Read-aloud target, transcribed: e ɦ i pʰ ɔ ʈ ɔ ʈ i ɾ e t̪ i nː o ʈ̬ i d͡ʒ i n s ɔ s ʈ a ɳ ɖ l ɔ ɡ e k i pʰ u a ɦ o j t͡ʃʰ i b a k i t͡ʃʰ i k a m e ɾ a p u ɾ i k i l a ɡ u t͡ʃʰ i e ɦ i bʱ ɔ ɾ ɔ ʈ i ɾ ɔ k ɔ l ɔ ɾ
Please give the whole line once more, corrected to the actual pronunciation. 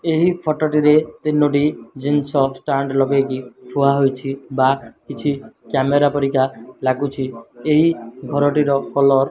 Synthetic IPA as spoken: e ɦ i pʰ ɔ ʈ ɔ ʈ i ɾ e t̪ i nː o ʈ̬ i d͡ʒ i n s ɔ s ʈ a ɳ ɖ l ɔ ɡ e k i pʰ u a ɦ o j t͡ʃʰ i b a k i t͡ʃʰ i k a m e ɾ a p ɔ ɾ i k a l a ɡ u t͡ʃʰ i e ɦ i ɡʱ ɔ ɾ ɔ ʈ i ɾ ɔ k ɔ l ɔ ɾ